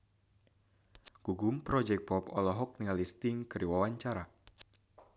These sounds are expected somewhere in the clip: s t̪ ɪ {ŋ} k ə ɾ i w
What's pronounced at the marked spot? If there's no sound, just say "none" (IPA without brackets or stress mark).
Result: ŋ